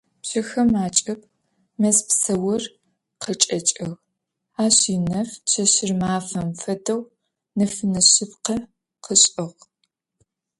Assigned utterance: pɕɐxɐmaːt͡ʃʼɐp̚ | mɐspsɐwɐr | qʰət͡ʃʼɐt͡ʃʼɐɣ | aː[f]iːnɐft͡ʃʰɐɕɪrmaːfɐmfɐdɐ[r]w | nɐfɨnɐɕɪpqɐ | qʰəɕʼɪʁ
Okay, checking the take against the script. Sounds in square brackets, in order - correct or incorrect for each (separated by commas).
incorrect, incorrect